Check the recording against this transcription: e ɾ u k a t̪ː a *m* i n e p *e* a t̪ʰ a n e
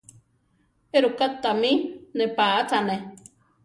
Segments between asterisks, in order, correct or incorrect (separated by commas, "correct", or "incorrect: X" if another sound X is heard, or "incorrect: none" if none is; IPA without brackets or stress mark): correct, incorrect: a